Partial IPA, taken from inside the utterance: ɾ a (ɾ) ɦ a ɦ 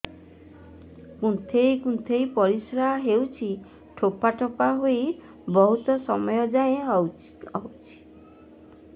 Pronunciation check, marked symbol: incorrect: none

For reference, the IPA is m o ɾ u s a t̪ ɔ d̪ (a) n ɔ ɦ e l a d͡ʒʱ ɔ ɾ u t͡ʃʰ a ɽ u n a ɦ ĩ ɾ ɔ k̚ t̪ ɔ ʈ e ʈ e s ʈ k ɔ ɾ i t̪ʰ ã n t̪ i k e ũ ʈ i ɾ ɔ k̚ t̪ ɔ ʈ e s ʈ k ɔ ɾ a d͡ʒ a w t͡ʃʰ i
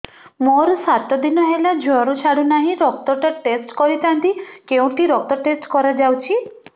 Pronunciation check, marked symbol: incorrect: i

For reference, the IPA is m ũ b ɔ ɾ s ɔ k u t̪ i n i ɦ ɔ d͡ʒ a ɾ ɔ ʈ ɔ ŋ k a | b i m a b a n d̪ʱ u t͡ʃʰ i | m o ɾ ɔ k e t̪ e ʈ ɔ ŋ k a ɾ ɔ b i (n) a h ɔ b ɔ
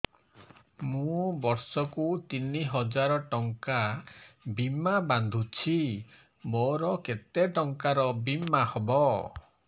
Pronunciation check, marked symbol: incorrect: m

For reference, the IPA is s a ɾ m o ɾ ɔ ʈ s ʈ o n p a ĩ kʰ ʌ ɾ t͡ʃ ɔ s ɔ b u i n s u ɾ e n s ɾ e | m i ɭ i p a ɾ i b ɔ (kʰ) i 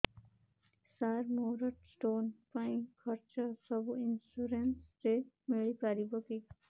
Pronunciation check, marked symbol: incorrect: k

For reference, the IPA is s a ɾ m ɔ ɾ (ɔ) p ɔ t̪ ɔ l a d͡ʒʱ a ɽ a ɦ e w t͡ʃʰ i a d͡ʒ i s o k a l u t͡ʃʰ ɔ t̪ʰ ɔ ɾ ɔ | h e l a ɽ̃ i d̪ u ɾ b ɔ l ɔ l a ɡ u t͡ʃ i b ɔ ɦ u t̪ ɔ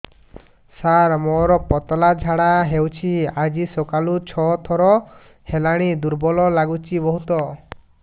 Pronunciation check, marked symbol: correct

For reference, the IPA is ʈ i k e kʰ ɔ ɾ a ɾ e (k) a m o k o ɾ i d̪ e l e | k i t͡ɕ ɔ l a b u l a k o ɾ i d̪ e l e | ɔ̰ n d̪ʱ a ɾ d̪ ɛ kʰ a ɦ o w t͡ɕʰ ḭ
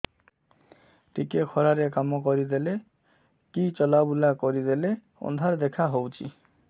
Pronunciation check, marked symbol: correct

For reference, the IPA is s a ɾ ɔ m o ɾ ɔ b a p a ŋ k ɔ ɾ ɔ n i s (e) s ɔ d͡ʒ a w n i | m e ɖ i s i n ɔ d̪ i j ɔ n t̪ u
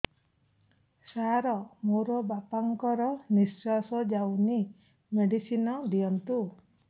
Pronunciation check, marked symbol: incorrect: a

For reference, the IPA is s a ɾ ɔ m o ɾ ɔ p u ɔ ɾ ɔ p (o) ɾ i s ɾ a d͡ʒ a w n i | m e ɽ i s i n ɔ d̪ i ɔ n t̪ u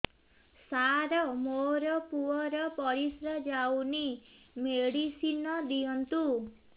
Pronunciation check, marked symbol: incorrect: ɔ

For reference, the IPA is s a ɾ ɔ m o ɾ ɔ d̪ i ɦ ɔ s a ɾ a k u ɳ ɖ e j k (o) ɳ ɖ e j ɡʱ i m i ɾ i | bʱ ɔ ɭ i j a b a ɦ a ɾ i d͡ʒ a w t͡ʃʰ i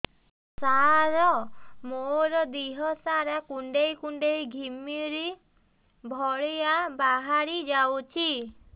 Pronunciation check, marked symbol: incorrect: u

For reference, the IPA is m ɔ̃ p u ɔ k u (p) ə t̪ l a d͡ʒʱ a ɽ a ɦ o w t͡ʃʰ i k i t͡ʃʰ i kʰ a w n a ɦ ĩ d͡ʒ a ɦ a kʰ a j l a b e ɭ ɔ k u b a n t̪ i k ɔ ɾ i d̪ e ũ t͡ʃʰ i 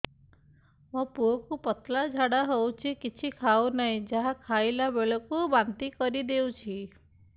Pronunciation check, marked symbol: correct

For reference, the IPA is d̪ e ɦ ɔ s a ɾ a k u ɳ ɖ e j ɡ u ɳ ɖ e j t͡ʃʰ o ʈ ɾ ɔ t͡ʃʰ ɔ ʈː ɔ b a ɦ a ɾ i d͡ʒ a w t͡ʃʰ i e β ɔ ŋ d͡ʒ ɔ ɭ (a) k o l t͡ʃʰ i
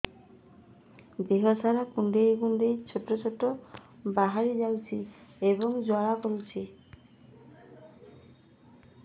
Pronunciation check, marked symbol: correct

